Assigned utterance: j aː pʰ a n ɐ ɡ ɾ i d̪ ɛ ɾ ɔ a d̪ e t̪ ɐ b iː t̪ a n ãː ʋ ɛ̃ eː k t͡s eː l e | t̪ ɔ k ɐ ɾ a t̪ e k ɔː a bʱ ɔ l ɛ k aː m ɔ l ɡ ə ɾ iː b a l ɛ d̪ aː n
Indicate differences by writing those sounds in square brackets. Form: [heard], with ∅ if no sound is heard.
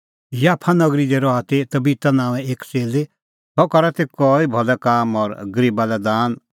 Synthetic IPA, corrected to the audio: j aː pʰ a n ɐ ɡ ɾ i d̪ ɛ ɾ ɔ a [t̪] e t̪ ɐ b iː t̪ a n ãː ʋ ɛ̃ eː k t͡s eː l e | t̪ ɔ k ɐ ɾ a t̪ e k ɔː [i] bʱ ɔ l ɛ k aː m ɔ [ɾ] ɡ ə ɾ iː b a l ɛ d̪ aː n